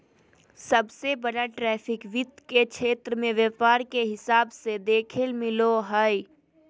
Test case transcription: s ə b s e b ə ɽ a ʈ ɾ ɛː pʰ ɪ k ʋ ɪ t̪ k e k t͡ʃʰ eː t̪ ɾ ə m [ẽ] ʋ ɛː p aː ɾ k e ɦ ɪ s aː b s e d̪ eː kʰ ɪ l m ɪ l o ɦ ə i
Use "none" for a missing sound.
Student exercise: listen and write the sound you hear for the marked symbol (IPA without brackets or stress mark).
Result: ẽ